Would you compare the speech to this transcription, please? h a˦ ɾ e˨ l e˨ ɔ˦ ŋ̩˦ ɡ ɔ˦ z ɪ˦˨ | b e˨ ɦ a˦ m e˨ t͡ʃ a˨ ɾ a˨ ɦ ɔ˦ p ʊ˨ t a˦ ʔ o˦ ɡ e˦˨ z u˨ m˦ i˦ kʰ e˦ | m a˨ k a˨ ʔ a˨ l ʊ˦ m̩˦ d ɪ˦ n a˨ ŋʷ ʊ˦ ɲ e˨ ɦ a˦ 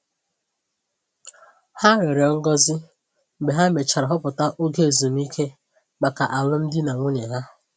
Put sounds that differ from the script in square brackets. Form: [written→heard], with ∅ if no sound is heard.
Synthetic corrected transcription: h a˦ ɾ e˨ [l→ɾ] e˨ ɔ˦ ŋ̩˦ ɡ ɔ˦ z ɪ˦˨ | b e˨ ɦ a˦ m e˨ t͡ʃ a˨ ɾ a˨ ɦ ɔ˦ p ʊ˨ t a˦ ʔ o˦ ɡ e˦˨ z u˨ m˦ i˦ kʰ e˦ | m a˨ k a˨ ʔ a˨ l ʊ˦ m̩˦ d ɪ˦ n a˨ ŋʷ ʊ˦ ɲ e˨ ɦ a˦